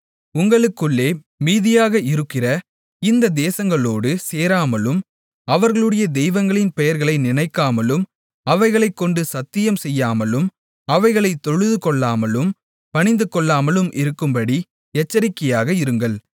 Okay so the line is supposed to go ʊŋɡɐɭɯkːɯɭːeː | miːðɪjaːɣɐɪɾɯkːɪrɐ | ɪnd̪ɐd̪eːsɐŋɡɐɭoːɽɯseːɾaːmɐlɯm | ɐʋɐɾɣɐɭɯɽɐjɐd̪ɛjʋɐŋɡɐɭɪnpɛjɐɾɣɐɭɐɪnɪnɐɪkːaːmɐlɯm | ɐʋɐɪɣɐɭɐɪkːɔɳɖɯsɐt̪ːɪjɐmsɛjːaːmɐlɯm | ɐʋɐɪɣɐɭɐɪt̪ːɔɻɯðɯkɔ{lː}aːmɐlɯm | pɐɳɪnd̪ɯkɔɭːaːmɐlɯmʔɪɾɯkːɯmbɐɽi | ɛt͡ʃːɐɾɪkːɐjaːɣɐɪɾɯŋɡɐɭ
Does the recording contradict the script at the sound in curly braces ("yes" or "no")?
yes